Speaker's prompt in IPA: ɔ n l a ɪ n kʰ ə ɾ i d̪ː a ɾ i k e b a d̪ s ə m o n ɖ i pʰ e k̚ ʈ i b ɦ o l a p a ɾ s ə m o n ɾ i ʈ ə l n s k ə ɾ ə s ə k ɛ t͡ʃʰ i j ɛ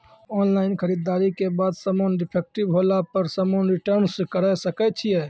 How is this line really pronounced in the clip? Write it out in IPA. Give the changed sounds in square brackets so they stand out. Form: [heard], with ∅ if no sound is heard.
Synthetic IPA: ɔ n l a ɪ n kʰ ə ɾ i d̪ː a ɾ i k e b a d̪ s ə m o n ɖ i pʰ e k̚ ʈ i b ɦ o l a p [ə] ɾ s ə m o n ɾ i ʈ ə [ɾ] n s k ə ɾ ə s ə k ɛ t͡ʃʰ i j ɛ

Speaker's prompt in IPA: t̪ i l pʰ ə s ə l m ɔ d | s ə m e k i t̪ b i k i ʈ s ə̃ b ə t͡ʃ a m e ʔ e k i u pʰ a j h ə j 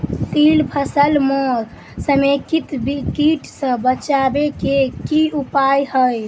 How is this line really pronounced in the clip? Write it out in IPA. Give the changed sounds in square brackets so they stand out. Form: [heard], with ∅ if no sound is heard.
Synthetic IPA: t̪ i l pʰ ə s ə l m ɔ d | s ə m e k i t̪ b i k i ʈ s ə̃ b ə t͡ʃ a [b] e [k] e k i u [p] a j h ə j

